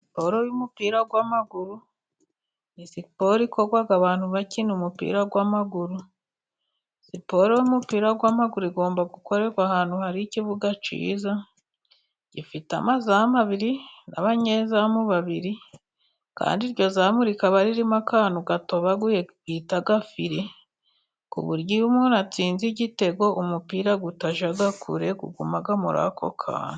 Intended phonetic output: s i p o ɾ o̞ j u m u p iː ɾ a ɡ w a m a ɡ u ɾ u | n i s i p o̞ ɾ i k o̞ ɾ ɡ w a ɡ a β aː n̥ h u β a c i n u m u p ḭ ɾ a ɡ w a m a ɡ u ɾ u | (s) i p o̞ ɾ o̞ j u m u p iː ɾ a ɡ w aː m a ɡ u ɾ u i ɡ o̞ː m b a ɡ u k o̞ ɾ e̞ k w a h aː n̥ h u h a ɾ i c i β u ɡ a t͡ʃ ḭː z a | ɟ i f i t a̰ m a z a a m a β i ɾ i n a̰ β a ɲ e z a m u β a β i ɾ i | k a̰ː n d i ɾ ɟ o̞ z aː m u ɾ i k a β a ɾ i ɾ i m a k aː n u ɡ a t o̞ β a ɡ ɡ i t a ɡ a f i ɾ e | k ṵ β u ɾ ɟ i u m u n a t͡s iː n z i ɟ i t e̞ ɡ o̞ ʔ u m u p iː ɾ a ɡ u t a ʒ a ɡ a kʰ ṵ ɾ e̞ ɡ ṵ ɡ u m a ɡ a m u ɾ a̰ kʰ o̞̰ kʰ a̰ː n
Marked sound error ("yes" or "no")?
no